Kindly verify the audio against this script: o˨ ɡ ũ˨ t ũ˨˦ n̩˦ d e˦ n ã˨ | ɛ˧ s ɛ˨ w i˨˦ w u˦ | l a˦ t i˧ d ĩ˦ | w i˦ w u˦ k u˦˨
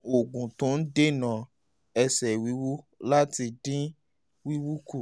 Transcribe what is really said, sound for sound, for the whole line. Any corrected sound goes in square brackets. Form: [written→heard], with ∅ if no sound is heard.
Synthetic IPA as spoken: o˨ ɡ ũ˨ t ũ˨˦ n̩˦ d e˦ n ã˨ | ɛ˧ s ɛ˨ w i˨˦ w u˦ | l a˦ t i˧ d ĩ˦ | w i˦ w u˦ k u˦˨